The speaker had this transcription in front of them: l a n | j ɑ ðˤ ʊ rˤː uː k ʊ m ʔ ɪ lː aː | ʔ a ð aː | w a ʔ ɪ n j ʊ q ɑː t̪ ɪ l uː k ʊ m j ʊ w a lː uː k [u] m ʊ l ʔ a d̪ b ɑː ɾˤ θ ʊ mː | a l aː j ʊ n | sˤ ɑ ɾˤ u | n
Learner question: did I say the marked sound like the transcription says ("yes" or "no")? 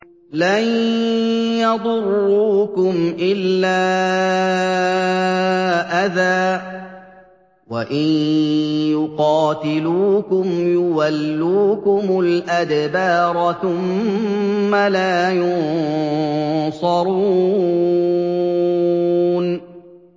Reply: no